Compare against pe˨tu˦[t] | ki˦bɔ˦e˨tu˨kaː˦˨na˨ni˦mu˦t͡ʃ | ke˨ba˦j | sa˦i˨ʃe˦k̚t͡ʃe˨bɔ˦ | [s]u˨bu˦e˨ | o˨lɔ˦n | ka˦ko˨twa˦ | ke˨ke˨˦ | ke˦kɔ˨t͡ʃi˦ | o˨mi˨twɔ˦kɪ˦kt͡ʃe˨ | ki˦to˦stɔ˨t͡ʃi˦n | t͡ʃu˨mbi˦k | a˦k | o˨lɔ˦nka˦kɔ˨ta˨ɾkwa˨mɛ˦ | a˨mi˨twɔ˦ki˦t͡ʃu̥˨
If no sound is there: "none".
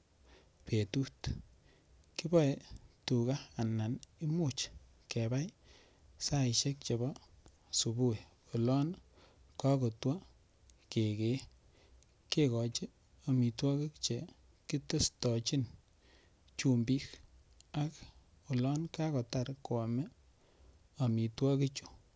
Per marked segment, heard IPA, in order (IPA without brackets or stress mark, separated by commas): t, s